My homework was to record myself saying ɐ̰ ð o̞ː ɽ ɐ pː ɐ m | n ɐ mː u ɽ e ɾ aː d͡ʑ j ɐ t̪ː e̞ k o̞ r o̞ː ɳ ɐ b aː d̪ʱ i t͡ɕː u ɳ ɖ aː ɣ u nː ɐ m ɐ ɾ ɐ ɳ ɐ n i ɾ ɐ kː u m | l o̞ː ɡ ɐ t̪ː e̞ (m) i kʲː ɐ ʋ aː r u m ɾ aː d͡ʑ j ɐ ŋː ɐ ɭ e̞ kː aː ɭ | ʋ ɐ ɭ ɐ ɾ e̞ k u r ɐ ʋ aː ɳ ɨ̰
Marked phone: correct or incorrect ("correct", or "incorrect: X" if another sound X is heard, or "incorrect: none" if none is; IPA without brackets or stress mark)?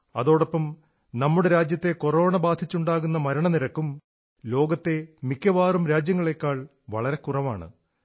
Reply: correct